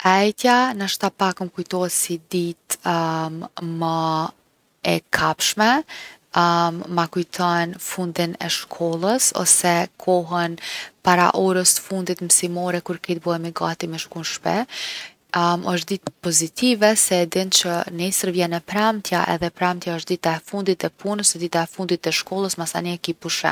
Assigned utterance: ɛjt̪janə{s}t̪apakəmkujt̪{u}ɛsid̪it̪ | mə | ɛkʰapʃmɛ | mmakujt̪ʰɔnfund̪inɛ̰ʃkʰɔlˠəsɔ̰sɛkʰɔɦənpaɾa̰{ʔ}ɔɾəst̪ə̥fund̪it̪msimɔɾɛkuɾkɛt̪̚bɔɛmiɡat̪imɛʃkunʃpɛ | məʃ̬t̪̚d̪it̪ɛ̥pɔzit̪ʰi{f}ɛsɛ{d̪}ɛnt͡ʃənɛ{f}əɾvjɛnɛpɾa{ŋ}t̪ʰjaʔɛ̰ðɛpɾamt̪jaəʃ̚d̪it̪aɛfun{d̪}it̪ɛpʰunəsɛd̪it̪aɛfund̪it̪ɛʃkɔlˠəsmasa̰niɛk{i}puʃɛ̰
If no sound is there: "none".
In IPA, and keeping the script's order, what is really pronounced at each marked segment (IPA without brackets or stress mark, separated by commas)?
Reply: ʃ, ɔ, ʔ, v, d̪, s, m, d̪, i